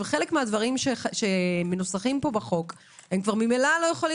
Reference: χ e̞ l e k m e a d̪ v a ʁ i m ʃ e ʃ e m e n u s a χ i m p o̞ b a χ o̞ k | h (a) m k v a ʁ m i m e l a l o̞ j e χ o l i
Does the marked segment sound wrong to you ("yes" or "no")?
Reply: yes